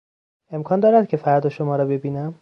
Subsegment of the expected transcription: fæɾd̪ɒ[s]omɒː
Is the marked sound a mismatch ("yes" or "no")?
yes